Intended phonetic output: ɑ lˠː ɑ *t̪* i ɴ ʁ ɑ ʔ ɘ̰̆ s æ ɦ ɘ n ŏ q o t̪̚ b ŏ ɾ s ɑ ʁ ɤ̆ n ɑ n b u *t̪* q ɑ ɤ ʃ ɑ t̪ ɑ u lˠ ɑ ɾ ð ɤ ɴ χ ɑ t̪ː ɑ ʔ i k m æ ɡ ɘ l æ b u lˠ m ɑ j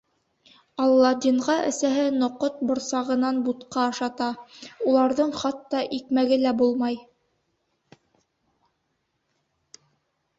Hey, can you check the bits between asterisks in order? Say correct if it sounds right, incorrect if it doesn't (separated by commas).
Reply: incorrect, correct